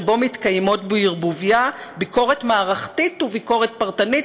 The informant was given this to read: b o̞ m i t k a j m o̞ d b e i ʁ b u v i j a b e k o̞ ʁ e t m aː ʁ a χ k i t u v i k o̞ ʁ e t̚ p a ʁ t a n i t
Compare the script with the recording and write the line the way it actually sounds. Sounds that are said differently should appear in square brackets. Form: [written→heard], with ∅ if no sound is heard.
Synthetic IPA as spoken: b o̞ m i t k a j m o̞ [d→t] b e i ʁ b u v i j a b [e→i] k o̞ ʁ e t m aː ʁ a χ [k→t] i t u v i k o̞ ʁ e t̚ p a ʁ t a n i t